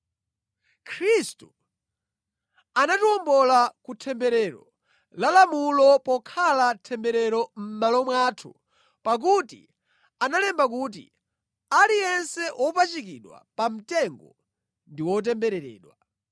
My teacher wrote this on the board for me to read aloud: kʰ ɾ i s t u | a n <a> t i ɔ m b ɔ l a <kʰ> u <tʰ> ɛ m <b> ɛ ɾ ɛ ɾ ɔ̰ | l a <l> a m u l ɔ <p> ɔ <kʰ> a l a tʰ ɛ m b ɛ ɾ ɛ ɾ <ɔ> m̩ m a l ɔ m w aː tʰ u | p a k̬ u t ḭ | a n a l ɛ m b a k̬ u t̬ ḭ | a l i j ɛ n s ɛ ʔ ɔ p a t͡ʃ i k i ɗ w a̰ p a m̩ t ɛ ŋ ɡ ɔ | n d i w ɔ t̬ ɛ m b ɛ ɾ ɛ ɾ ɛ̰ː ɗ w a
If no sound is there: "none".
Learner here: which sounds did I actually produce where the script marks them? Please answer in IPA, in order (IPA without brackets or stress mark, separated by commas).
a, k, tʰ, b, l, p, kʰ, ɔ